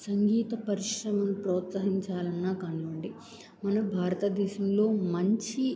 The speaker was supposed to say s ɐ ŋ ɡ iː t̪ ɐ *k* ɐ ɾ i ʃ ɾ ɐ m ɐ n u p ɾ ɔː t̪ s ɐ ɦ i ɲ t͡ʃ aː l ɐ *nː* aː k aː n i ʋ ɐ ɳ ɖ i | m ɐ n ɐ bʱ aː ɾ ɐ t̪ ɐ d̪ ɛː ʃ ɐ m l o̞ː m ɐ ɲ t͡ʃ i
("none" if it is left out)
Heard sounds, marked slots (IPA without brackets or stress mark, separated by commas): p, nː